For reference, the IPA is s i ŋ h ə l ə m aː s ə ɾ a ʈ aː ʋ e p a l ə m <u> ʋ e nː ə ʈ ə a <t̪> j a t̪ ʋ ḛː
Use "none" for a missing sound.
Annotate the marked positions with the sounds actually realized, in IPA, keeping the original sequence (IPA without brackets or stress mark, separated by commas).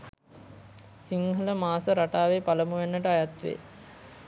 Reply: u, none